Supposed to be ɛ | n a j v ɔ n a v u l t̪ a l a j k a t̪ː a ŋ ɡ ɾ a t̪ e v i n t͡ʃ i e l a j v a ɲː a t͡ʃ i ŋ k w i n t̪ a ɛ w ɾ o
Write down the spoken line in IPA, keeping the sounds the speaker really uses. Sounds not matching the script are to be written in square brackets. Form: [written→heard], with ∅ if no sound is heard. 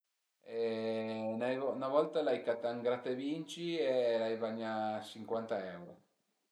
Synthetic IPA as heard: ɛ | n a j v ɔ n a v [u→ɔ] l t̪ a l a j k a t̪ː a ŋ ɡ ɾ a t̪ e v i n t͡ʃ i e l a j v a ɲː a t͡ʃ i ŋ k w [i→a] n t̪ a ɛ w ɾ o

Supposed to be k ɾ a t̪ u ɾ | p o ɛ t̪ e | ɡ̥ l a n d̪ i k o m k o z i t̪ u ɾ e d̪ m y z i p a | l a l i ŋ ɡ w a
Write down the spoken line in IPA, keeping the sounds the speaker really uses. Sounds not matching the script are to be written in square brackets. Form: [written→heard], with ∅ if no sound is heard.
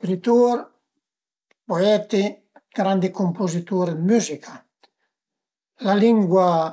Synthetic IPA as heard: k ɾ [a→i] t̪ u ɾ | p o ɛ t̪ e | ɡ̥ [l→ɾ] a n d̪ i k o m [k→p] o z i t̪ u ɾ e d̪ m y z i [p→k] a | l a l i ŋ ɡ w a

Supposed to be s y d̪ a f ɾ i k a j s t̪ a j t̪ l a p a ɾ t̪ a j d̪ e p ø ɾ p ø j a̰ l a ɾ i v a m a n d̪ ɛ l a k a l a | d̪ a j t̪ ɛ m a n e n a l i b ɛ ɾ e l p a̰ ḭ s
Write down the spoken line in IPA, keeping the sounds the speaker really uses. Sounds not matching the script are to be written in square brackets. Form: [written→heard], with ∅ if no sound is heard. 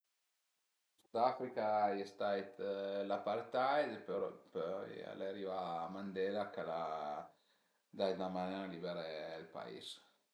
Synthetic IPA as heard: s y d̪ a f ɾ i k a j s t̪ a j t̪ l a p a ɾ t̪ a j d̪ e p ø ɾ p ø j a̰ l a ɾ i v a m a n d̪ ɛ l a k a l a | d̪ a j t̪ [ɛ→a] m a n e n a l i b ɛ ɾ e l p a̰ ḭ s

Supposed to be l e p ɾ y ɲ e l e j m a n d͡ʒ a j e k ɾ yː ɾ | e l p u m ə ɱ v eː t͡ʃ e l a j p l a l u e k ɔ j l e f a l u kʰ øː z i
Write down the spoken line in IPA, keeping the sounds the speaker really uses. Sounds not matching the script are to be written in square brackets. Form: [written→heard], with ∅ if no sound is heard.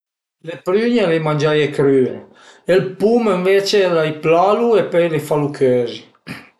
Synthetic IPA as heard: l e p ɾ y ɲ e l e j m a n d͡ʒ a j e k ɾ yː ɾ | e l p u m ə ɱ v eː t͡ʃ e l a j p l a l u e [k→p] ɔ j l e f a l u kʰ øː z i

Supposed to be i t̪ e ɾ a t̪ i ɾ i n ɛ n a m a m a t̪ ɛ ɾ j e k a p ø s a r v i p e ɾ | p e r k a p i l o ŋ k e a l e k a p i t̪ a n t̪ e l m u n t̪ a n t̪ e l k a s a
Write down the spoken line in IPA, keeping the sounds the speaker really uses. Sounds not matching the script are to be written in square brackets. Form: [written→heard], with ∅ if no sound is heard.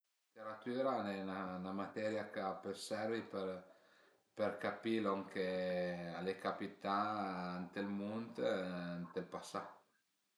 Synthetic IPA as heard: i t̪ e ɾ a t̪ [i→y] ɾ [i→a] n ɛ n a [m→n] a m a t̪ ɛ ɾ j [e→a] k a p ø s [a→ɛ] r v i p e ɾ | p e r k a p i l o ŋ k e a l e k a p i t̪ a n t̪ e l m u n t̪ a n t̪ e l [k→p] a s a

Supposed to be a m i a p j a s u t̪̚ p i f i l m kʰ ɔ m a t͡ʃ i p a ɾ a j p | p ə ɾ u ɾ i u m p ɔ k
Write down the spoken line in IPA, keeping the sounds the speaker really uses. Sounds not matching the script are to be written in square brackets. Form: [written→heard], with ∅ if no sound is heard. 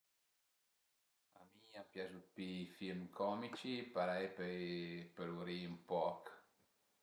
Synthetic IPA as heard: a m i a p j a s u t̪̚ p i f i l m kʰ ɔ m [a→i] t͡ʃ i p a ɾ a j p | p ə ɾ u ɾ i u m p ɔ k

